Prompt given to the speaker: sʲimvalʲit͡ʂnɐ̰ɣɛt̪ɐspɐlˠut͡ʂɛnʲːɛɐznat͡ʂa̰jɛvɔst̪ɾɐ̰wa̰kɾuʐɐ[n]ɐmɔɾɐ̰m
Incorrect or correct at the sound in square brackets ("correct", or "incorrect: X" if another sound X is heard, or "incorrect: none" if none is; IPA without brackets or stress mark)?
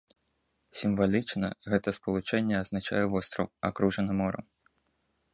correct